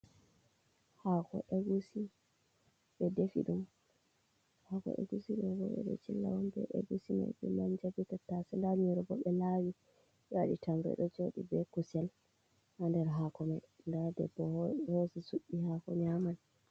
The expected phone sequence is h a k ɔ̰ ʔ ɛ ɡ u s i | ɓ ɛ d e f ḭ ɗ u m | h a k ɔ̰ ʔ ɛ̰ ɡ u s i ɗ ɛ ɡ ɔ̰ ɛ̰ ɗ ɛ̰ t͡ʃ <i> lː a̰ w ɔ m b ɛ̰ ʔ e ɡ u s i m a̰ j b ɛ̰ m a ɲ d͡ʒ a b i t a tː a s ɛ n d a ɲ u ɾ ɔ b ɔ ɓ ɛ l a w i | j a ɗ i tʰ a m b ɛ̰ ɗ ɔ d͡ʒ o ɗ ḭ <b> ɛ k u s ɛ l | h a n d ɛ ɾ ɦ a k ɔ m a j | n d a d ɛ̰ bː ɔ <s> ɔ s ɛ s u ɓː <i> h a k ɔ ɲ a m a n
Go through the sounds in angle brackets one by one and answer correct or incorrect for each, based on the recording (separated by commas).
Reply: correct, correct, incorrect, correct